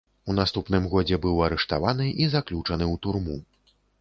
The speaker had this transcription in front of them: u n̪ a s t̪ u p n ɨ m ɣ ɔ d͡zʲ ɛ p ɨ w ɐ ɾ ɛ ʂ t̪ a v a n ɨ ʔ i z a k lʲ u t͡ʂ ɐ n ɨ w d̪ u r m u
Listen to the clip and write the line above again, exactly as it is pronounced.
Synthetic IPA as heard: u n̪ a s t̪ u p n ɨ m ɣ ɔ d͡zʲ ɛ b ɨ w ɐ ɾ ɛ ʂ t̪ a v a n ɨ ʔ i z a k lʲ u t͡ʂ ɐ n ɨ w t̪ u r m u